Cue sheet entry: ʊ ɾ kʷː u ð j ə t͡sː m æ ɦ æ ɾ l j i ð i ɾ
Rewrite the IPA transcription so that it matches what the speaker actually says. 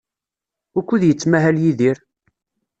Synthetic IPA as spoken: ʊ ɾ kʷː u ð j ə t͡sː m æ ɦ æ l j i ð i ɾ